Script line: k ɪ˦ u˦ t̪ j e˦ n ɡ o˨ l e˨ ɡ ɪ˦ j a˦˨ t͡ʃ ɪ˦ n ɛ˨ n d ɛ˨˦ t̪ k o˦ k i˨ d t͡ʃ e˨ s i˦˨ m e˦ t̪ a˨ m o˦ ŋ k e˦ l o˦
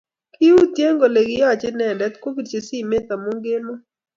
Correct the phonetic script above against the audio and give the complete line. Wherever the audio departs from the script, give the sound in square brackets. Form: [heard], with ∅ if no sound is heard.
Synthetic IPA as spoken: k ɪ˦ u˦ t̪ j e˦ [ŋ] ɡ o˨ l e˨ ɡ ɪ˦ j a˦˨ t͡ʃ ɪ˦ n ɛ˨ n d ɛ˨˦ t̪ k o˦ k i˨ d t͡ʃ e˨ s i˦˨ m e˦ t̪ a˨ m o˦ ŋ [ɡ] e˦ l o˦